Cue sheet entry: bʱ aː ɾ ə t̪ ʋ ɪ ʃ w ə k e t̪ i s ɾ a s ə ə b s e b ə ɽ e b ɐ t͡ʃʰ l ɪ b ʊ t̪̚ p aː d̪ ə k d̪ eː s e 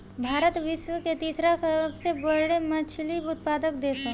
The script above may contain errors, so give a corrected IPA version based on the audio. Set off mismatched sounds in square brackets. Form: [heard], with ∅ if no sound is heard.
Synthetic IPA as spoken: bʱ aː ɾ ə t̪ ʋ ɪ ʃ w ə k e t̪ [iː] s ɾ a s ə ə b s e b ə ɽ e [m] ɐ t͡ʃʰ l [i] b ʊ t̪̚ p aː d̪ ə k d̪ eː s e